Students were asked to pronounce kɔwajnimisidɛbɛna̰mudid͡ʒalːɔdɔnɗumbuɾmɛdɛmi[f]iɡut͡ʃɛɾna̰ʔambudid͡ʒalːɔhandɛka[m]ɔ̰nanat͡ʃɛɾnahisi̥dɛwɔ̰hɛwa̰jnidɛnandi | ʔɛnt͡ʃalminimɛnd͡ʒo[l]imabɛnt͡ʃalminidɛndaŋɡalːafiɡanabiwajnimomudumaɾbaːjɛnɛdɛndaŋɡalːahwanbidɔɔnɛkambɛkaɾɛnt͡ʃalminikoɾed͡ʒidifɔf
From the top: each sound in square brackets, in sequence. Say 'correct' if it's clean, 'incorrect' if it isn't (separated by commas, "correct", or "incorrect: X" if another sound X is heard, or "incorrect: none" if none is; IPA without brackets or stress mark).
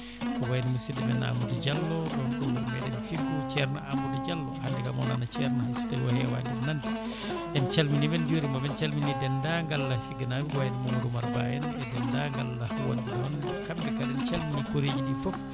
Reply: correct, correct, incorrect: ɾ